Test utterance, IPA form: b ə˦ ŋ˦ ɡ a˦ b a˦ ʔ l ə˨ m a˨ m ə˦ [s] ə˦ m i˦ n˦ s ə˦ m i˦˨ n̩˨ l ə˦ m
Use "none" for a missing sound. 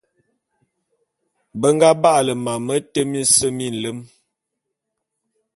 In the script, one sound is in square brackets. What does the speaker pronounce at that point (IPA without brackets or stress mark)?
t